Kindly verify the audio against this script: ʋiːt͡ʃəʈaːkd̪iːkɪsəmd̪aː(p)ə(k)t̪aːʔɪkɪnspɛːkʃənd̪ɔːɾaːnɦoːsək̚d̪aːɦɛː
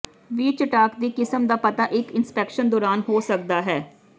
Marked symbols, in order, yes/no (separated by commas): yes, no